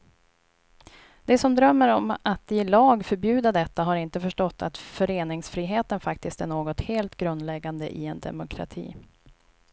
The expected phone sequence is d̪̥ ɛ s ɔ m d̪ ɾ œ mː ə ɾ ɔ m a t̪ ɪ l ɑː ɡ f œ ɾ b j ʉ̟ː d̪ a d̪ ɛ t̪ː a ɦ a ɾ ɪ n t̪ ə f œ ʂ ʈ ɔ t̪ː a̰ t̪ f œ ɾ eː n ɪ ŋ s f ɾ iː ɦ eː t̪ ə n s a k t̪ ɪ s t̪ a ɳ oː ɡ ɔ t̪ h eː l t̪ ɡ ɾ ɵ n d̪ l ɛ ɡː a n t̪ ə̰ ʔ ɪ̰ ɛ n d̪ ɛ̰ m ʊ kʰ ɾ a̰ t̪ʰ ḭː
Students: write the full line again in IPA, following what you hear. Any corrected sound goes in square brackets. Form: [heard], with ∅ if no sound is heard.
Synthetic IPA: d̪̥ ɛ s ɔ m d̪ ɾ œ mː ə ɾ ɔ m a t̪ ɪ l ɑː ɡ f œ ɾ b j ʉ̟ː d̪ a d̪ ɛ t̪ː a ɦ a ɾ ɪ n t̪ ə f œ ʂ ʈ ɔ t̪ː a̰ t̪ f œ ɾ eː n ɪ ŋ s f ɾ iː ɦ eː t̪ ə n [f] a k t̪ ɪ s t̪ [æ] ɳ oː ɡ ɔ t̪ h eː l t̪ ɡ ɾ ɵ n d̪ l ɛ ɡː a n [d̪] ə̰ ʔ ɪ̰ ɛ n d̪ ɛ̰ m ʊ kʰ ɾ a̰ t̪ʰ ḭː